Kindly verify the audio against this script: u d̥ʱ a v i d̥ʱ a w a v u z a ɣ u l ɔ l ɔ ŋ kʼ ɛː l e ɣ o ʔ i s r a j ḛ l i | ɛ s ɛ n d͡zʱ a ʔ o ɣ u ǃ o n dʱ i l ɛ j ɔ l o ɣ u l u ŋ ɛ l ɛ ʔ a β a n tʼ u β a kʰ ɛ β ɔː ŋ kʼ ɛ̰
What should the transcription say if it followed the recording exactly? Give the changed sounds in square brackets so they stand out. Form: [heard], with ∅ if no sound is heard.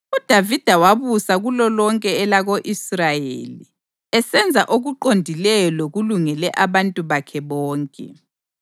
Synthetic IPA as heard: u d̥ʱ a v i d̥ʱ a w a [β] u [s] a ɣ u l ɔ l ɔ ŋ kʼ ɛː l [a] ɣ o ʔ i s r a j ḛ l i | ɛ s ɛ n d͡zʱ a ʔ o ɣ u ǃ o n dʱ i l ɛ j ɔ l o ɣ u l u ŋ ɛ l ɛ ʔ a β a n tʼ u β a kʰ ɛ β ɔː ŋ kʼ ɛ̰